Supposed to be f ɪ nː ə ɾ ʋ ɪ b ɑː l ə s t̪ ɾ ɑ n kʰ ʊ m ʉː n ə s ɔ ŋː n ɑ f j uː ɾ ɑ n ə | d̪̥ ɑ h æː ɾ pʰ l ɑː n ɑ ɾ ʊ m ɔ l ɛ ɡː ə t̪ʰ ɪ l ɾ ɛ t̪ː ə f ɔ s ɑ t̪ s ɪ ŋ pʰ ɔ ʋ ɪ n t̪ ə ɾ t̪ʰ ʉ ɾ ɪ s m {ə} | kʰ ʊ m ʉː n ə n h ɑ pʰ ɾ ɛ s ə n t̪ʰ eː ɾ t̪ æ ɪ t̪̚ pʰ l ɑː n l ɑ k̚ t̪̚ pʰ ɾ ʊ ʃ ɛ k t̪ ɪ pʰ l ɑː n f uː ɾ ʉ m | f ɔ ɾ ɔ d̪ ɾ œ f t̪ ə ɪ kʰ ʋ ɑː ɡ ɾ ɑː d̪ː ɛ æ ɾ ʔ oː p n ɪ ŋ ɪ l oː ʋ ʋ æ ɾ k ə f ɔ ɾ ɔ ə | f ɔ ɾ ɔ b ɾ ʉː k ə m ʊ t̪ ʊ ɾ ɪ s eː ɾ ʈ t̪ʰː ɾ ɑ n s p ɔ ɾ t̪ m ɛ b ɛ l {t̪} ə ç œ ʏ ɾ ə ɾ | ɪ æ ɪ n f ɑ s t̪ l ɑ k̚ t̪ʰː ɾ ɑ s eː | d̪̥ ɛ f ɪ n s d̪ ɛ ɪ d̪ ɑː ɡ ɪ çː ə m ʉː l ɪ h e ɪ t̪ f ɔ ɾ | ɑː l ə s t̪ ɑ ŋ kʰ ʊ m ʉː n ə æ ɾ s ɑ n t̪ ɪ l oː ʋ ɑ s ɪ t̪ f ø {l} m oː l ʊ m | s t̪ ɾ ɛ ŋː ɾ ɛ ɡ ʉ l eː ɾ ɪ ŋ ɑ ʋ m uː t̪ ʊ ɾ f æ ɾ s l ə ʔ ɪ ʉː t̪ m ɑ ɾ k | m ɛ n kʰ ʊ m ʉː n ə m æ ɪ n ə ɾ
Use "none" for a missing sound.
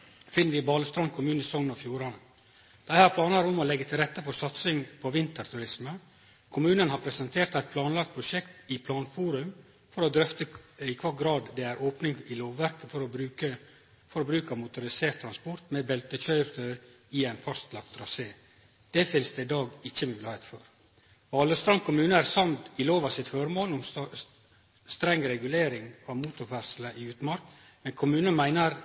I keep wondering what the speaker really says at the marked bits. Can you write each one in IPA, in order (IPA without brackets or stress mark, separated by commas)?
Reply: ə, t̪, ɾ